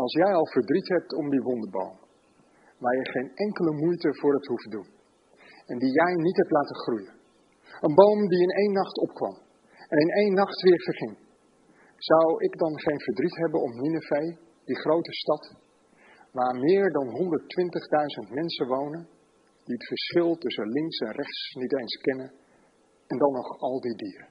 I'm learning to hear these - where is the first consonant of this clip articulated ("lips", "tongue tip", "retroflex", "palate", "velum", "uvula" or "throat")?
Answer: tongue tip